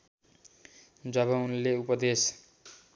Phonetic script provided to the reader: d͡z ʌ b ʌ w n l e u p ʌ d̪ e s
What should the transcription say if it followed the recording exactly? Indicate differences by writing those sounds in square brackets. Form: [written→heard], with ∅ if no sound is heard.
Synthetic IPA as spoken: d͡z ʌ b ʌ [w→u] n l e u p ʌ d̪ e s